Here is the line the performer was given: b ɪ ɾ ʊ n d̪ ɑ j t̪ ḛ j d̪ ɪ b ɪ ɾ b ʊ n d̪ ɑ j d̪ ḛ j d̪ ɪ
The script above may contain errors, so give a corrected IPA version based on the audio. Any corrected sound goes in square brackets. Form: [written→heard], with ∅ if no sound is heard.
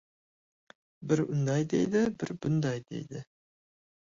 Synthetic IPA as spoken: b ɪ ɾ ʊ n d̪ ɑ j [t̪→d̪] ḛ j d̪ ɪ b ɪ ɾ b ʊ n d̪ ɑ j d̪ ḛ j d̪ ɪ